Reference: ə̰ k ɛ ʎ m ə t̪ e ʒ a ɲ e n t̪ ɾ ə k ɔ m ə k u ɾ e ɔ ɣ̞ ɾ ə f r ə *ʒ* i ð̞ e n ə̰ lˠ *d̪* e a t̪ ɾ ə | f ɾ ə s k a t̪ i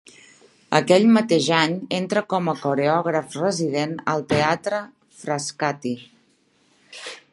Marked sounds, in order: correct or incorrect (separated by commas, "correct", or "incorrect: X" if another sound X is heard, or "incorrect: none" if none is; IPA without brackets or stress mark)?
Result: incorrect: z, incorrect: t̪